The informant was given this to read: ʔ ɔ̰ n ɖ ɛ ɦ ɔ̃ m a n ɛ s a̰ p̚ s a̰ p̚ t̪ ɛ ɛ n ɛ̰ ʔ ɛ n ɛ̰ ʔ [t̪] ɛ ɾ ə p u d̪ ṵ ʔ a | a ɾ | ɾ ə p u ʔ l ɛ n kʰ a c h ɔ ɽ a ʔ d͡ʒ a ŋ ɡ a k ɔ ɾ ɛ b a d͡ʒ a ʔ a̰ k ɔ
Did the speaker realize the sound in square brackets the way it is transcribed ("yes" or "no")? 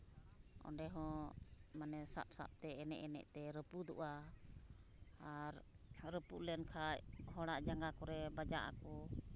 yes